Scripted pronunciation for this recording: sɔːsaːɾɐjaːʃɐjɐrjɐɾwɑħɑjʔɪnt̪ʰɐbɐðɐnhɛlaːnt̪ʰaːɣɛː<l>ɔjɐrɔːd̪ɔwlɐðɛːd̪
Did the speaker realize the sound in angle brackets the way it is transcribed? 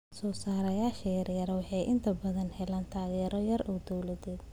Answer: no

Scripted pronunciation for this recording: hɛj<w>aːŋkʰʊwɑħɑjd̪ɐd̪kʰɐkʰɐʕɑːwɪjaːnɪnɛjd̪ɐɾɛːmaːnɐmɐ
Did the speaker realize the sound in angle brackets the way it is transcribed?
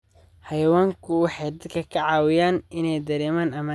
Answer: yes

